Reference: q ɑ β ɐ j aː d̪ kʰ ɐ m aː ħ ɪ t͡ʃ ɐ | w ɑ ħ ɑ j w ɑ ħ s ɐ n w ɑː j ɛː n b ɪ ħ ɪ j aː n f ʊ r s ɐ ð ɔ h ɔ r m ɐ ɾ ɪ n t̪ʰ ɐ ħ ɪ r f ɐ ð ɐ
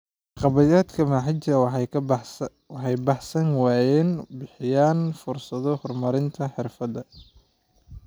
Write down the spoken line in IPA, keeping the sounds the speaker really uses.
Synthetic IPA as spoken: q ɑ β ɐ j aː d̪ kʰ ɐ m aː ħ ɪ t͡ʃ ɐ | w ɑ ħ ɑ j b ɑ ħ s ɐ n w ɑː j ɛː n b ɪ ħ ɪ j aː n f ʊ r s ɐ ð ɔ h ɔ r m ɐ ɾ ɪ n t̪ʰ ɐ ħ ɪ r f ɐ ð ɐ